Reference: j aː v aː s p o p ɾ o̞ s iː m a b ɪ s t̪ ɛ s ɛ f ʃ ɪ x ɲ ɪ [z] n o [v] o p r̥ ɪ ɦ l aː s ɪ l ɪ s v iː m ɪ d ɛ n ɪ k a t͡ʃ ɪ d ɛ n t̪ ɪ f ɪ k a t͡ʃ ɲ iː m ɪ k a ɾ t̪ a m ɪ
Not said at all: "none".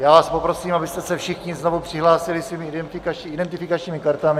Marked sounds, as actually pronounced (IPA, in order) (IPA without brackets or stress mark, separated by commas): z, v